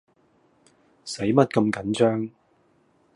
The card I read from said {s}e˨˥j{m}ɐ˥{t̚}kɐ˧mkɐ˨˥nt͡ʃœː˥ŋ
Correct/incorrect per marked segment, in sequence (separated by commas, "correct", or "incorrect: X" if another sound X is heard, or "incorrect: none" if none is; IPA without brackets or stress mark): correct, correct, correct